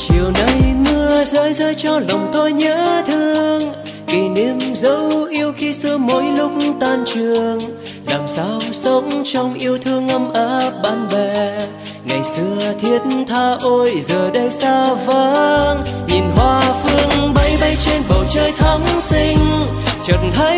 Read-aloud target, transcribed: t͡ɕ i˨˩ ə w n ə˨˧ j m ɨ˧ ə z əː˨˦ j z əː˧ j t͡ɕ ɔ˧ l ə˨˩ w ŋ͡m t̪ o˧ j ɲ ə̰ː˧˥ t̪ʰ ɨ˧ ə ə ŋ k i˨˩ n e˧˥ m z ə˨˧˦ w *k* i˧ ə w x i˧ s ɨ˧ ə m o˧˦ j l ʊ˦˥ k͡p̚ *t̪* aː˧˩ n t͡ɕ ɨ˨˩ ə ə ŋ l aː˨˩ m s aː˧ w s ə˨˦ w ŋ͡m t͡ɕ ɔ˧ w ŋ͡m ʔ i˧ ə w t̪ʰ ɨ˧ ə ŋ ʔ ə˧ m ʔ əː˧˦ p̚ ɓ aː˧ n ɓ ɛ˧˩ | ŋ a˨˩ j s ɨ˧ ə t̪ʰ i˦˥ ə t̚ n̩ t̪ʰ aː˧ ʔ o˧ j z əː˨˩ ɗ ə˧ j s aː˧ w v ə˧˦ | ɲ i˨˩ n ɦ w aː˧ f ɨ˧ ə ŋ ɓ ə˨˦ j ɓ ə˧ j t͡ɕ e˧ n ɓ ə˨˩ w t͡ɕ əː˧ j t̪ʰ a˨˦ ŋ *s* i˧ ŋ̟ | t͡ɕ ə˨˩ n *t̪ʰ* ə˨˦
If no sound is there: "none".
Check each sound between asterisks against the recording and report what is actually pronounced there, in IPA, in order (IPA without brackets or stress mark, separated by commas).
ʔ, t̪, s, t̪ʰ